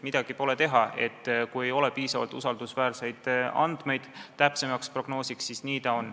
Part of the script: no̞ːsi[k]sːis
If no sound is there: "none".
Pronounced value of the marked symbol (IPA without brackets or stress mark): k